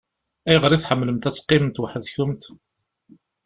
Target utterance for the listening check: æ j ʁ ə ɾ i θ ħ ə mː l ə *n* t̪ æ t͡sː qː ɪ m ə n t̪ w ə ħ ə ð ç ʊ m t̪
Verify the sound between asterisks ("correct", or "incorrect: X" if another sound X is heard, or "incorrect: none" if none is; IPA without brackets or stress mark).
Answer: incorrect: m